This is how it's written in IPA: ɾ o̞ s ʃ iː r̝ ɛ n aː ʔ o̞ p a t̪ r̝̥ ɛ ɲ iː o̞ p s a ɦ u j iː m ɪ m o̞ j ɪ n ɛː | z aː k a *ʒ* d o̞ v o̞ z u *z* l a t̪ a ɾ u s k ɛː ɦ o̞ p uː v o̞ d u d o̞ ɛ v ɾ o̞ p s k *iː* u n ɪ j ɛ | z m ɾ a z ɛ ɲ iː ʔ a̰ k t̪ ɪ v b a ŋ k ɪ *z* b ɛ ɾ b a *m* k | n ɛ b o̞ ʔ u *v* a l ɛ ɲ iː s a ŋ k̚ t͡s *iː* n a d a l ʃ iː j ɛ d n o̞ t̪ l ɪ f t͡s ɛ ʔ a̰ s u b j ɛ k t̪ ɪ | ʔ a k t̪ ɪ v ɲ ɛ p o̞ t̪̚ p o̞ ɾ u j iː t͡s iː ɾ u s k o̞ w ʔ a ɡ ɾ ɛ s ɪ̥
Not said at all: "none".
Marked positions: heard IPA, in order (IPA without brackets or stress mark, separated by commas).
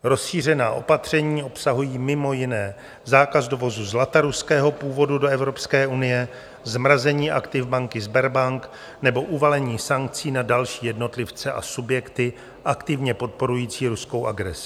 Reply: z, z, ɛː, z, ŋ, v, iː